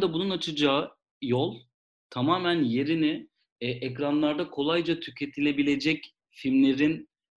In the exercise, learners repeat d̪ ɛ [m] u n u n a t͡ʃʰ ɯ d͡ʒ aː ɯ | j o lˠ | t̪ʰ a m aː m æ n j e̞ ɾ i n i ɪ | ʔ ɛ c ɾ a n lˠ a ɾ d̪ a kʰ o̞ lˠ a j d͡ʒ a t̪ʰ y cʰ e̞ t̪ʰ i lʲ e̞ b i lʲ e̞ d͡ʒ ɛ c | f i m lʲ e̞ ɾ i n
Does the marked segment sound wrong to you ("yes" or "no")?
yes